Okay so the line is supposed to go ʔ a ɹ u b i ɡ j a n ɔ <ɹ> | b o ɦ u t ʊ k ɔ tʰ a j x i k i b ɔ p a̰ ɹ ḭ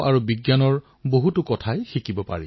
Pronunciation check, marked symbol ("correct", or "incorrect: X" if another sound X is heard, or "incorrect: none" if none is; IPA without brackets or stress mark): correct